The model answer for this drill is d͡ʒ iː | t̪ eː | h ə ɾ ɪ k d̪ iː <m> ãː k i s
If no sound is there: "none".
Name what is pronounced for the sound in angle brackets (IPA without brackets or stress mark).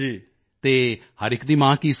m